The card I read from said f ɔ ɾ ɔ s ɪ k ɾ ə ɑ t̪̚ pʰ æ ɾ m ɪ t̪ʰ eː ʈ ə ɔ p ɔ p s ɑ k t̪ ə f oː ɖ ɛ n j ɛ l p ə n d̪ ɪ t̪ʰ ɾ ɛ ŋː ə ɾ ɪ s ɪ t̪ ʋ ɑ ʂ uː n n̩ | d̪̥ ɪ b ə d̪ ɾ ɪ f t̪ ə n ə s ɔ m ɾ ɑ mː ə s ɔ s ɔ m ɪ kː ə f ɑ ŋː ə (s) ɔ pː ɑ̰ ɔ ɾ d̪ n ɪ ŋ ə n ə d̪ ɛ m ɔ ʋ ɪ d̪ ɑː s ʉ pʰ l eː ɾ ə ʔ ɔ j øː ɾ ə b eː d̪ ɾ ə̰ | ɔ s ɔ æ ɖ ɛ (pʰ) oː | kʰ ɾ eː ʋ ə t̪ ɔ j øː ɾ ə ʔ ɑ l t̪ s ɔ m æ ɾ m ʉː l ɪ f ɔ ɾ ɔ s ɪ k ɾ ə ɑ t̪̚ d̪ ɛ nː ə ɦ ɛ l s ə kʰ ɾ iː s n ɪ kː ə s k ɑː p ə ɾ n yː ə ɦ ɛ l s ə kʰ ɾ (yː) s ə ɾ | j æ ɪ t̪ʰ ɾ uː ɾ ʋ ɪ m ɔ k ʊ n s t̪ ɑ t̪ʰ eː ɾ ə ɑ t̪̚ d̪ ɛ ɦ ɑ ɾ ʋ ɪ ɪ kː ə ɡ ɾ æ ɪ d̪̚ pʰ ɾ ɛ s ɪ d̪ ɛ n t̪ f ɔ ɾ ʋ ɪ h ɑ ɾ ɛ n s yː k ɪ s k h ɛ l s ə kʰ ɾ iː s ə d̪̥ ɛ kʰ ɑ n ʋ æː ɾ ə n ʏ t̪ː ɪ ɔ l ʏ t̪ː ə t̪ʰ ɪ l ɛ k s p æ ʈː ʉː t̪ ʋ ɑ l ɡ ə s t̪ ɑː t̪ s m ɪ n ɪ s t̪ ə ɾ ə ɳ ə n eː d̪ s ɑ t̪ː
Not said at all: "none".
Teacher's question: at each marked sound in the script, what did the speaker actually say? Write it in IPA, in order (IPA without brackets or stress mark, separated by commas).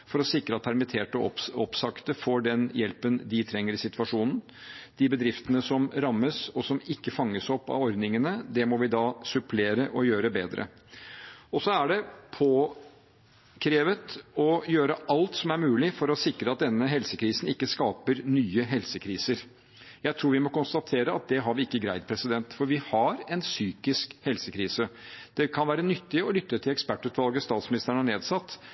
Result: s, pʰ, iː